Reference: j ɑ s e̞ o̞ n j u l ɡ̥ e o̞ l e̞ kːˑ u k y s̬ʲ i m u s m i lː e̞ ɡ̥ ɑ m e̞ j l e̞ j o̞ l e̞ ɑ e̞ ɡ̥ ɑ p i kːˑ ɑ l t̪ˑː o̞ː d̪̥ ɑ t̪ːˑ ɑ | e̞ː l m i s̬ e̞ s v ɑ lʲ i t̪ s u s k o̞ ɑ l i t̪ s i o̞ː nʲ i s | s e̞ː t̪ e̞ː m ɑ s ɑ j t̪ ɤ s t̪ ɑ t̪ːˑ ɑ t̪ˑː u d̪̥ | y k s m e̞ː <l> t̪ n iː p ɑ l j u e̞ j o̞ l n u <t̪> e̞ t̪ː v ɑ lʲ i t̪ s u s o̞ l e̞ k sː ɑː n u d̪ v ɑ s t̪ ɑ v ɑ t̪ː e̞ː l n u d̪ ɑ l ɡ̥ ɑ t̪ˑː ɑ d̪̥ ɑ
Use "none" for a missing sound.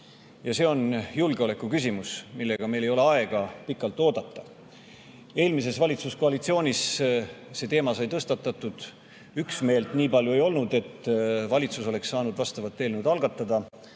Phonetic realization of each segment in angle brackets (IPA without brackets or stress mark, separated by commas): l, d̪